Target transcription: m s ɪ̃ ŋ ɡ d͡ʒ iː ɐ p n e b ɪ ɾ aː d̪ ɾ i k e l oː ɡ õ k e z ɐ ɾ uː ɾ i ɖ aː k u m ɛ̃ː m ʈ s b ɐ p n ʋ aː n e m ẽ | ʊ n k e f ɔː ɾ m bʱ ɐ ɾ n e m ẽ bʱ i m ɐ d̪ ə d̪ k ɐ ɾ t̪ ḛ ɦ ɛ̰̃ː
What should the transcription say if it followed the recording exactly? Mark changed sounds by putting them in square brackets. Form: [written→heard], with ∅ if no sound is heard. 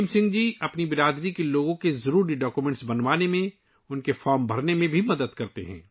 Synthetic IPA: m s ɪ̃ ŋ ɡ d͡ʒ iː ɐ p n [e→i] b ɪ ɾ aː d̪ ɾ i k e l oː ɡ õ k e z ɐ ɾ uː ɾ i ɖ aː k u m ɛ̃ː [m→ɳ] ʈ s b ɐ [p→∅] n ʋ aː n e m ẽ | ʊ n k e f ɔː ɾ m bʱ ɐ ɾ n e m ẽ bʱ i m ɐ d̪ ə d̪ k ɐ ɾ t̪ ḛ ɦ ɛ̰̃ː